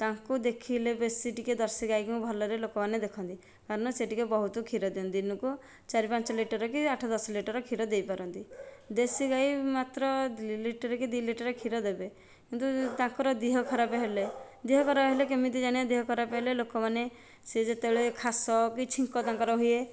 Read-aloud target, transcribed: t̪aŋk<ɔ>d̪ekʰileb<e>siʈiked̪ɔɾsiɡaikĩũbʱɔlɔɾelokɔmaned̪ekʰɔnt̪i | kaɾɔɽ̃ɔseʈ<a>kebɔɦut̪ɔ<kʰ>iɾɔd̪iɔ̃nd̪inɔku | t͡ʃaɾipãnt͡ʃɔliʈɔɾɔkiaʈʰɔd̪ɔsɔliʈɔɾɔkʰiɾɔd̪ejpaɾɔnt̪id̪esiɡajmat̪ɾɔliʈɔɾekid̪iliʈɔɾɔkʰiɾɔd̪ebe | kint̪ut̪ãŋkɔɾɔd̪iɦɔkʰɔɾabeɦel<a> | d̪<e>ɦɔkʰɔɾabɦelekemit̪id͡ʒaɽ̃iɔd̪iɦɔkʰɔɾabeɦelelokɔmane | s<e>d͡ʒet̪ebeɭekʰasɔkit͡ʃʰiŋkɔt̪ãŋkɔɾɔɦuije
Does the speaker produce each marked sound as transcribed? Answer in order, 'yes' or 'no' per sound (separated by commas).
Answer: no, yes, no, yes, no, no, yes